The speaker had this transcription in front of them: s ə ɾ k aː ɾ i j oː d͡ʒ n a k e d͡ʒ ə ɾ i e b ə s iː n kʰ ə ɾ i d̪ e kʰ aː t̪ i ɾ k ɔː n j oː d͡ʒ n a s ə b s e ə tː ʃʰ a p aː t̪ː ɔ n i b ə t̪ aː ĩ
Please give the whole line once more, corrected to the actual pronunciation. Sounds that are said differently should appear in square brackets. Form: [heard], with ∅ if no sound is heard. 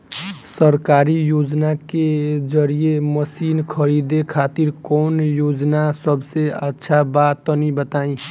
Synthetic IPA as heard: s ə ɾ k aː ɾ i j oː d͡ʒ n a k e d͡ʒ ə ɾ i e [m] ə s iː n kʰ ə ɾ i d̪ e kʰ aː t̪ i ɾ k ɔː n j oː d͡ʒ n a s ə b s e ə tː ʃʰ a [b] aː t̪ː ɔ n i b ə t̪ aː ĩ